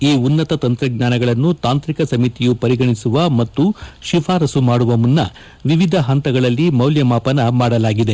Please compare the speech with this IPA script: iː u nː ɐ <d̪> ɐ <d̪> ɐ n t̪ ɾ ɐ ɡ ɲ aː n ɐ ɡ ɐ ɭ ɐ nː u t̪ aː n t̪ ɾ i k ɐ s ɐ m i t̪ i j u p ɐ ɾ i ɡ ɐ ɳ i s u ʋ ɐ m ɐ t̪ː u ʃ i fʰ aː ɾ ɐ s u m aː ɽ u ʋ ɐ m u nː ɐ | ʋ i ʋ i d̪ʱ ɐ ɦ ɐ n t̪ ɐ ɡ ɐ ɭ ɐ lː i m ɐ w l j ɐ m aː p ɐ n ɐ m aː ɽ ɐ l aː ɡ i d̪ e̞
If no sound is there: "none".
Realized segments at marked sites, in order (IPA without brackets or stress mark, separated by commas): t̪, t̪